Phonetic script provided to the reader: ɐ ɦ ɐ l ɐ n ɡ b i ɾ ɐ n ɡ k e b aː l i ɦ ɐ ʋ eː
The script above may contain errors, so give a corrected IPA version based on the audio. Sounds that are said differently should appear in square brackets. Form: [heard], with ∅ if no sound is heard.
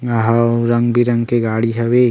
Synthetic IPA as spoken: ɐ ɦ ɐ [ɾ] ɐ [ŋ] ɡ b i ɾ ɐ [ŋ] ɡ k e [ɡ] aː [ɽ] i ɦ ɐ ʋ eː